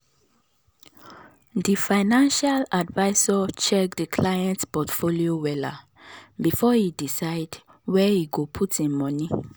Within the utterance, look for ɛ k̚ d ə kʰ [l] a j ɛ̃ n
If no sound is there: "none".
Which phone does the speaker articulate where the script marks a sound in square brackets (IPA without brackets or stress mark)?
l